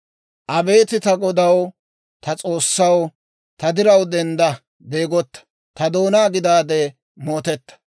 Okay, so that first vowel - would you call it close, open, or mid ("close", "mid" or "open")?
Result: open